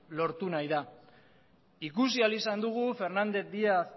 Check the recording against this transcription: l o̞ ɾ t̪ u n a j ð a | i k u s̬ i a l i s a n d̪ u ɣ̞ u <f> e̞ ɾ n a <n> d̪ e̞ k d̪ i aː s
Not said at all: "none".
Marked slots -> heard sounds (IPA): f, n

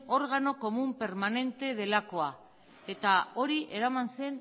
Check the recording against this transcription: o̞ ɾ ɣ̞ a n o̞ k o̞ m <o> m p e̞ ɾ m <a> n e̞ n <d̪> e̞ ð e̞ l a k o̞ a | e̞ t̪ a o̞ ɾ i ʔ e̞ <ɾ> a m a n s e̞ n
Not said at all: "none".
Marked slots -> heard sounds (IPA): u, a, t̪, ɾ

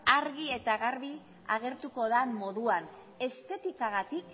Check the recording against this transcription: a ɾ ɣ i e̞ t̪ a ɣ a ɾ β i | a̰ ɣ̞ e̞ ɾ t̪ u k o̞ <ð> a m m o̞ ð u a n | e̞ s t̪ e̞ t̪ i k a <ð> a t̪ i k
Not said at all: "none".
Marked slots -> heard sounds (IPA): ð, ɣ

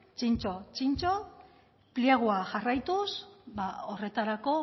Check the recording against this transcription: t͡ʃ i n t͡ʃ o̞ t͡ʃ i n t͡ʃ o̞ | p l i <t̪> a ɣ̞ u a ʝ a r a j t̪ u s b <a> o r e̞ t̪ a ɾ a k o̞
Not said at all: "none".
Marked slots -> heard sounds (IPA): none, a

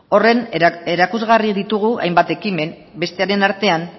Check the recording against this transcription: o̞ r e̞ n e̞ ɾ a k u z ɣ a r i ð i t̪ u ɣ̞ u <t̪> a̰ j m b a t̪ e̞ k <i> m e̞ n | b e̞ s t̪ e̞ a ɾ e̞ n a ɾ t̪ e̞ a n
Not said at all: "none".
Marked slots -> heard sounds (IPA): none, i

